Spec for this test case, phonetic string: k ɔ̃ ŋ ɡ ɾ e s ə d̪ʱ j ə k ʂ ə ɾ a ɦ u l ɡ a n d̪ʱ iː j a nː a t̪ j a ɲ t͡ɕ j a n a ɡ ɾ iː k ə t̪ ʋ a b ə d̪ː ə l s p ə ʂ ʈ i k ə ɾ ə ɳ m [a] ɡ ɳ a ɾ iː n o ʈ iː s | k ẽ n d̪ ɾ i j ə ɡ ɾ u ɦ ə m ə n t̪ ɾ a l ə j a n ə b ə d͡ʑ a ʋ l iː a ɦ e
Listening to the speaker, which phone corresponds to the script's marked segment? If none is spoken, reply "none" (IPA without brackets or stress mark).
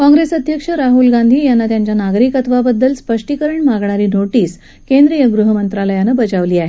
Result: a